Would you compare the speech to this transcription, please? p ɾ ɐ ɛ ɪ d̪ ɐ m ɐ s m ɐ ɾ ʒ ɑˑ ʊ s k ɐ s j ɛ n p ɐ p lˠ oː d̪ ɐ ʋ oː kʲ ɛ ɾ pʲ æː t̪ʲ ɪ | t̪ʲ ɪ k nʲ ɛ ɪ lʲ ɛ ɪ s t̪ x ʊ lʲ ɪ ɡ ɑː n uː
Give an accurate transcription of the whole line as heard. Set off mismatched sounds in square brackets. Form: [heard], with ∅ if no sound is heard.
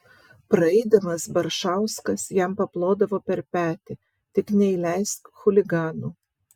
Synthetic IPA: p ɾ ɐ ɛ ɪ d̪ ɐ m ɐ s [b] ɐ ɾ [ʃ] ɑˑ ʊ s k ɐ s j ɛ [m] p ɐ p lˠ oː d̪ ɐ ʋ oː [pʲ] ɛ ɾ pʲ æː t̪ʲ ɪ | t̪ʲ ɪ k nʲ ɛ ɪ lʲ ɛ ɪ s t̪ x ʊ lʲ ɪ ɡ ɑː n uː

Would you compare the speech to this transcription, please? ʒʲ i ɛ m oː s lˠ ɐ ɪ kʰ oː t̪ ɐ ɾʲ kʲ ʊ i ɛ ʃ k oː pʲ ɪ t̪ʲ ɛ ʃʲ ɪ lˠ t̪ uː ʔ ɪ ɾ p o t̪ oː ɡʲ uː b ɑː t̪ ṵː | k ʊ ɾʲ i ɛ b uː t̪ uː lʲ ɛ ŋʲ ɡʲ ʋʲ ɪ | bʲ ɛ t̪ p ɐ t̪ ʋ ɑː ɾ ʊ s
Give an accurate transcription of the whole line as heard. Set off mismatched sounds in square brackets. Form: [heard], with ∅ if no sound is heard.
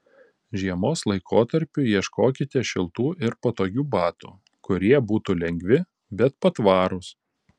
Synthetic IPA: ʒʲ i ɛ m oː s lˠ ɐ ɪ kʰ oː t̪ ɐ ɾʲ [pʲ] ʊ i ɛ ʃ k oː [kʲ] ɪ t̪ʲ ɛ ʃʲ ɪ lˠ t̪ uː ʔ ɪ ɾ p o t̪ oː ɡʲ uː b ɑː t̪ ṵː | k ʊ ɾʲ i ɛ b uː t̪ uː lʲ ɛ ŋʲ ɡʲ ʋʲ ɪ | bʲ ɛ t̪ p ɐ t̪ ʋ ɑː ɾ ʊ s

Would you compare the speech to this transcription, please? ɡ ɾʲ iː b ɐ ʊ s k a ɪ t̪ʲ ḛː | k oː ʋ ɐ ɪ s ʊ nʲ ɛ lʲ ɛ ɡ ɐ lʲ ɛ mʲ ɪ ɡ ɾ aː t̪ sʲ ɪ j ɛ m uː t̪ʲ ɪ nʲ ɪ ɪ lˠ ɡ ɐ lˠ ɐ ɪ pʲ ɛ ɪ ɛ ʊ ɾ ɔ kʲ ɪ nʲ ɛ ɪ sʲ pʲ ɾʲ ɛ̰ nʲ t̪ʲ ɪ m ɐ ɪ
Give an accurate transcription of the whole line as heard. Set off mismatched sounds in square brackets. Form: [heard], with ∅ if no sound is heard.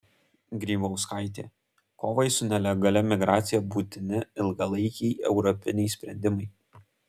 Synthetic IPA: ɡ ɾʲ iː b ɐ ʊ s k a ɪ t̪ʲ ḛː | k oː ʋ ɐ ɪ s ʊ nʲ ɛ lʲ ɛ ɡ ɐ lʲ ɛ mʲ ɪ ɡ ɾ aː t̪ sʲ ɪ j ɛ [b] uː t̪ʲ ɪ nʲ ɪ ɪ lˠ ɡ ɐ lˠ ɐ ɪ [kʲ] ɛ ɪ ɛ ʊ ɾ ɔ [pʲ] ɪ nʲ ɛ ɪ sʲ pʲ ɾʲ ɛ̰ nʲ [d̪ʲ] ɪ m ɐ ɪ

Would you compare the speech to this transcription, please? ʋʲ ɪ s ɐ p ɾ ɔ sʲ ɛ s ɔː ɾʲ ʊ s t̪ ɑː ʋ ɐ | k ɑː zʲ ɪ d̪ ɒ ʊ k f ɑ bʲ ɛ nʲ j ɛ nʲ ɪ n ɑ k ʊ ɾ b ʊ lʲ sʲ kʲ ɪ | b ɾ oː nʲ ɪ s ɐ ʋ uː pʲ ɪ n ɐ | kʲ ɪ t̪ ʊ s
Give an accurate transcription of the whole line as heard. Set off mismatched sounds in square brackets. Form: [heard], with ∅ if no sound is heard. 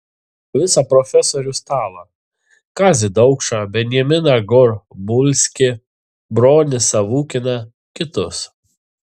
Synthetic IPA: ʋʲ ɪ s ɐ p ɾ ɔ [fʲ] ɛ s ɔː ɾʲ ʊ s t̪ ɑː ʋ ɐ | k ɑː zʲ ɪ d̪ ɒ ʊ k [ʃ] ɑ bʲ ɛ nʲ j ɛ [mʲ] ɪ n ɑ [ɡ] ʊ ɾ b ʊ lʲ sʲ kʲ ɪ | b ɾ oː nʲ ɪ s ɐ ʋ uː [kʲ] ɪ n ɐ | kʲ ɪ t̪ ʊ s

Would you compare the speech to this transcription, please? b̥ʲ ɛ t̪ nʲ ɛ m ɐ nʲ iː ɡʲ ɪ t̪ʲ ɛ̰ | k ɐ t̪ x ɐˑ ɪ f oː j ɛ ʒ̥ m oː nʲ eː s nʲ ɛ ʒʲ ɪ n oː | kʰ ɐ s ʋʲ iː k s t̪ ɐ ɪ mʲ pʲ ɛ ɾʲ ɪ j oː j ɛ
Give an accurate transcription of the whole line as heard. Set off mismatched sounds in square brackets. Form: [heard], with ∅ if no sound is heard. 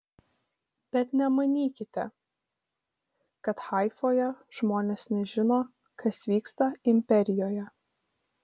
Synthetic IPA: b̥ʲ ɛ t̪ nʲ ɛ m ɐ nʲ iː [kʲ] ɪ t̪ʲ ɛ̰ | k ɐ t̪ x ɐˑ ɪ f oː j ɛ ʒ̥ m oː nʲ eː s nʲ ɛ ʒʲ ɪ n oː | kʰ ɐ s ʋʲ iː k s t̪ ɐ ɪ mʲ pʲ ɛ ɾʲ ɪ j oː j ɛ

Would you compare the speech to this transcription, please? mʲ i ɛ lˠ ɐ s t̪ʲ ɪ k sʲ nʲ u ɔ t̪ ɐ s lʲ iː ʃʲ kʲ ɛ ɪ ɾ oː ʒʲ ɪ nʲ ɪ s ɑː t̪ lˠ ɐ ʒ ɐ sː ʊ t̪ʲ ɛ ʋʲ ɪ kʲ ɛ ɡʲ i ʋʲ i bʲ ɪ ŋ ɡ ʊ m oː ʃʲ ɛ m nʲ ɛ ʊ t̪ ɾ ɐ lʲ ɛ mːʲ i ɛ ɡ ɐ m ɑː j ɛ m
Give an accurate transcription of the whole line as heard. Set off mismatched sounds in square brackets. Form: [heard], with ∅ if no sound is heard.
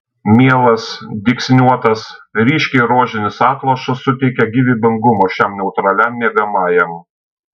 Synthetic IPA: mʲ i ɛ lˠ ɐ s [d̪ʲ] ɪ k sʲ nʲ u ɔ t̪ ɐ s [ɾʲ] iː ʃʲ kʲ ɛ ɪ ɾ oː ʒʲ ɪ nʲ ɪ s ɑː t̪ lˠ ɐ [ʃ] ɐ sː ʊ t̪ʲ ɛ [∅] ɪ kʲ ɛ ɡʲ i ʋʲ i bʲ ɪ ŋ ɡ ʊ m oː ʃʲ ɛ m nʲ ɛ ʊ t̪ ɾ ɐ lʲ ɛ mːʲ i ɛ ɡ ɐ m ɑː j ɛ m

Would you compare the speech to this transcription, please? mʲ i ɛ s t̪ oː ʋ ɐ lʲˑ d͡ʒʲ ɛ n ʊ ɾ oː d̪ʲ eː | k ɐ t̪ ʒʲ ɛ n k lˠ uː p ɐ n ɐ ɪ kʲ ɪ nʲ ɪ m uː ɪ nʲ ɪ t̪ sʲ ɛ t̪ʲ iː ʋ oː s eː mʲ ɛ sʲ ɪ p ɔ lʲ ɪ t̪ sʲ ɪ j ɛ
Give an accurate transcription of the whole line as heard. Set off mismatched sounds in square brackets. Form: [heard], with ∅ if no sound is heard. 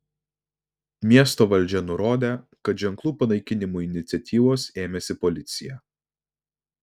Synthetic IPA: mʲ i ɛ s t̪ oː ʋ ɐ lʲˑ d͡ʒʲ ɛ n ʊ ɾ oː d̪ʲ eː | k ɐ t̪ ʒʲ ɛ [ŋ] k lˠ uː p ɐ n ɐ ɪ kʲ ɪ nʲ ɪ m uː ɪ nʲ ɪ t̪ sʲ ɛ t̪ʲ iː ʋ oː s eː mʲ ɛ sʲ ɪ p ɔ lʲ ɪ t̪ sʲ ɪ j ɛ

